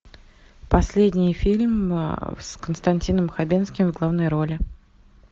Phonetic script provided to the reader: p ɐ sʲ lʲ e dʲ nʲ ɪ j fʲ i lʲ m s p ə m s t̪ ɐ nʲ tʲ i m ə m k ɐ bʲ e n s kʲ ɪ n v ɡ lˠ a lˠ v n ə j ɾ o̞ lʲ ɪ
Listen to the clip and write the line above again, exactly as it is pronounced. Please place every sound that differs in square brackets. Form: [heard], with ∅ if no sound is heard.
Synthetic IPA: p ɐ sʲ lʲ e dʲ nʲ ɪ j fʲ i lʲ m s [k] ə [n] s t̪ ɐ nʲ tʲ i [n] ə m [x] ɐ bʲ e n s kʲ ɪ [m] v ɡ lˠ a [∅] v n ə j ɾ o̞ lʲ ɪ